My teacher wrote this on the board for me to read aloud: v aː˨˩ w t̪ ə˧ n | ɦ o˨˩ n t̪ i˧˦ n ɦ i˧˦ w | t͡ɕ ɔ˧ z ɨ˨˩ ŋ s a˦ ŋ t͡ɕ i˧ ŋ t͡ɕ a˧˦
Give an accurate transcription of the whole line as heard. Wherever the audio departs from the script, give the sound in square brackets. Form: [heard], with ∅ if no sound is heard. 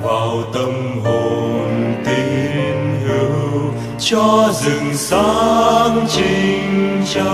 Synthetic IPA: v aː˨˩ w t̪ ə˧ [m] | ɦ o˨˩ n t̪ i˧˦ n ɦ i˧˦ w | t͡ɕ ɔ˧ z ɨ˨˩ ŋ s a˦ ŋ t͡ɕ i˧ ŋ t͡ɕ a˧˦